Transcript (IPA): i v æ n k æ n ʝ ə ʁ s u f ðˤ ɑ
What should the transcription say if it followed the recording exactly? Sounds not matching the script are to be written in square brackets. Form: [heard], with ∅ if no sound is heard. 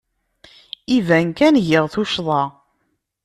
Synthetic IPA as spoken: i v æ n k æ n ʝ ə ʁ [θ] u [ʃ] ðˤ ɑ